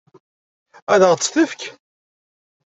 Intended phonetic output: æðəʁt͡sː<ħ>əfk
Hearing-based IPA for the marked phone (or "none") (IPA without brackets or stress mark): θ